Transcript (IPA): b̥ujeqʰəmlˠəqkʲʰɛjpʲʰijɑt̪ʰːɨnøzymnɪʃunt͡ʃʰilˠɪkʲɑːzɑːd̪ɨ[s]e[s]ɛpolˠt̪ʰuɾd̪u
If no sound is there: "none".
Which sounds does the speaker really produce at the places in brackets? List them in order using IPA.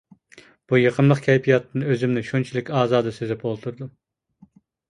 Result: s, z

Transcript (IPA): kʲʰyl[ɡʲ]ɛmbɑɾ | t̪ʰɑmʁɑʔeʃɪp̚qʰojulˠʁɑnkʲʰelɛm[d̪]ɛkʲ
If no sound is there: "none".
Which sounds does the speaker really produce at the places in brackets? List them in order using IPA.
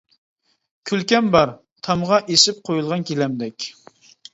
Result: kʲ, d̪

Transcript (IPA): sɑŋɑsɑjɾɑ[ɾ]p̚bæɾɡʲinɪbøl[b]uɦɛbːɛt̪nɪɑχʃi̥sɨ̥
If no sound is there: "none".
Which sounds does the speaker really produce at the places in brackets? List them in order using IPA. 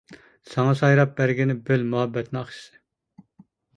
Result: none, m

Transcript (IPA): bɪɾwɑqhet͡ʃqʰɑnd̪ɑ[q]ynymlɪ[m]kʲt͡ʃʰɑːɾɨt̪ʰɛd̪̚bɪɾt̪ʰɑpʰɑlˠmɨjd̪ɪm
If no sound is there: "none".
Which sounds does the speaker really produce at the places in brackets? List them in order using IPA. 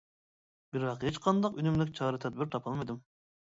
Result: q, none

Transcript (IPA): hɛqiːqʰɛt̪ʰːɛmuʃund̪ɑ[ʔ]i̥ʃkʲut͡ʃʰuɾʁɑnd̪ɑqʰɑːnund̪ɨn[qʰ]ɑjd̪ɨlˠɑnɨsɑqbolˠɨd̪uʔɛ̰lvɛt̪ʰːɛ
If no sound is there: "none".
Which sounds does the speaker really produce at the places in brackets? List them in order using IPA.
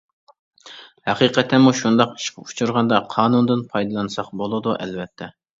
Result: q, pʰ

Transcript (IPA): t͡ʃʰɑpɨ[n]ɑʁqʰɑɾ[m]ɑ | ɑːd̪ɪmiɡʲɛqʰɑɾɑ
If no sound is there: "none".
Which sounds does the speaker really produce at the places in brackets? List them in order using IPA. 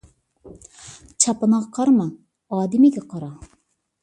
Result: n, m

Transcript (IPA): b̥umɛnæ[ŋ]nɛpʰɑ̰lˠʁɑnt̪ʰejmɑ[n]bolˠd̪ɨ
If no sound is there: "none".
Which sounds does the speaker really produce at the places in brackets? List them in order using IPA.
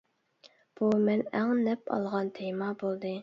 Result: ŋ, none

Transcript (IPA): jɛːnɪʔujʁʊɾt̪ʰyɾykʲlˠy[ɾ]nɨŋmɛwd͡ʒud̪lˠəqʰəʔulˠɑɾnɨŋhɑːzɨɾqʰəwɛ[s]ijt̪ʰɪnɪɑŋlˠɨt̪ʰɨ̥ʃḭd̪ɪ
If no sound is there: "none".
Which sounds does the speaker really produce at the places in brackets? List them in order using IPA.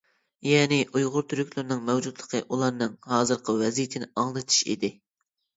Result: ɾ, z

